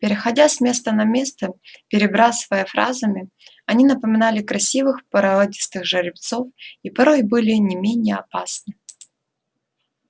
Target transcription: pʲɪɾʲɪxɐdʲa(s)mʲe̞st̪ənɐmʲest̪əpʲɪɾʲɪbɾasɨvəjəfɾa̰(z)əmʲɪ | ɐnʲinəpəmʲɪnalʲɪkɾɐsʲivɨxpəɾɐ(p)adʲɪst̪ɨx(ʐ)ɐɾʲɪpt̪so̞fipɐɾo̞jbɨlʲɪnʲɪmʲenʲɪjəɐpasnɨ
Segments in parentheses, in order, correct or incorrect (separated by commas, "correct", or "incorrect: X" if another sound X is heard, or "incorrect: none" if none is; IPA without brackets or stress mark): correct, correct, incorrect: none, correct